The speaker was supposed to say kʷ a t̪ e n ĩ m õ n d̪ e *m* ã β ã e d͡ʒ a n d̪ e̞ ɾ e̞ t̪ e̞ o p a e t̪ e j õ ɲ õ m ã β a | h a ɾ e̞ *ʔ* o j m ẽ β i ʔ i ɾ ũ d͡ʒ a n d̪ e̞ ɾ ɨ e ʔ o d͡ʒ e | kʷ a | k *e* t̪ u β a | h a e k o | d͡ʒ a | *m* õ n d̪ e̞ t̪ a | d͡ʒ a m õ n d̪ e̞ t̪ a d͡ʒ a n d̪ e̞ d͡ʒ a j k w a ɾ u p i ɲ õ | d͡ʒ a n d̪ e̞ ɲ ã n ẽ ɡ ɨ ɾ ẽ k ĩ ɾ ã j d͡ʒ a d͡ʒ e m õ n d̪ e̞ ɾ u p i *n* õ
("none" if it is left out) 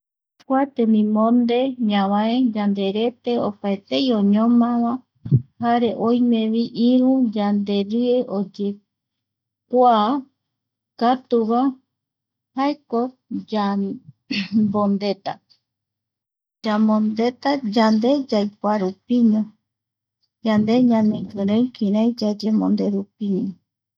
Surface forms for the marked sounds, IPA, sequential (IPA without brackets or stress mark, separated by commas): ɲ, ʔ, a, b, ɲ